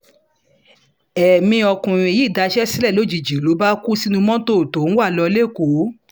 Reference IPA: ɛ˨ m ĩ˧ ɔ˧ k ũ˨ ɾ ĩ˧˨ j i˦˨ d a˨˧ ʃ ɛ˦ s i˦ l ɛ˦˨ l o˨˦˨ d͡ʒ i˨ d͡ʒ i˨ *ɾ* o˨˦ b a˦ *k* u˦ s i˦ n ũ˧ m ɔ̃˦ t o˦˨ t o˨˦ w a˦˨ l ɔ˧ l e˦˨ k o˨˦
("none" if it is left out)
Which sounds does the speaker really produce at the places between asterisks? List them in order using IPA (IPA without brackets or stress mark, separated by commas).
l, k